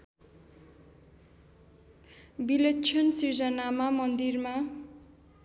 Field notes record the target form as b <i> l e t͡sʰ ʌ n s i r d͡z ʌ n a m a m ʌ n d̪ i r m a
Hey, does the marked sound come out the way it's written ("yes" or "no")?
yes